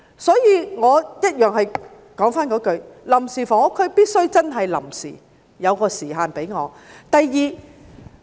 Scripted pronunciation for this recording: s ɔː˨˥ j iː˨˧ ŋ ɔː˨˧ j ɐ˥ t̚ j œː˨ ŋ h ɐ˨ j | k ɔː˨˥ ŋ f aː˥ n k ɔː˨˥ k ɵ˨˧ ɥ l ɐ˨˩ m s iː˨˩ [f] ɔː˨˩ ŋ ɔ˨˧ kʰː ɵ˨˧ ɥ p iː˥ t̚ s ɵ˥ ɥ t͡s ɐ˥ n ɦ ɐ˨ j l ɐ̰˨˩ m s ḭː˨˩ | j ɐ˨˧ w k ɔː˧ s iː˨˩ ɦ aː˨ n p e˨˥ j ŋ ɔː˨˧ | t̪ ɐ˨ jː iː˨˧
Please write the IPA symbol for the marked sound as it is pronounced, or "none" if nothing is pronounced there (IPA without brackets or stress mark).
f